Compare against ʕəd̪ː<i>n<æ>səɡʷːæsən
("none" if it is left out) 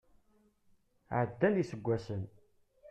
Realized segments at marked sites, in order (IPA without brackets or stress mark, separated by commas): æ, i